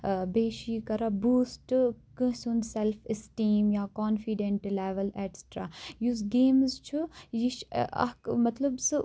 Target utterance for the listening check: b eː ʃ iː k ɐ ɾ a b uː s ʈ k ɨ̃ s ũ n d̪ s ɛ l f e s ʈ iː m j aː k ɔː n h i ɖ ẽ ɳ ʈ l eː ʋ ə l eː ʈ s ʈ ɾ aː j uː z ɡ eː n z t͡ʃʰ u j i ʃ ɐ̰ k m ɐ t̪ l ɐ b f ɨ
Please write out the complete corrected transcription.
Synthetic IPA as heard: b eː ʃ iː k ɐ ɾ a b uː s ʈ k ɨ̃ s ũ n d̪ s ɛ l f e s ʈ iː m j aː k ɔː n f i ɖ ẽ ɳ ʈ l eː ʋ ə l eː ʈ s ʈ ɾ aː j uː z ɡ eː m z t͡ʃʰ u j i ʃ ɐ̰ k m ɐ t̪ l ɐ b s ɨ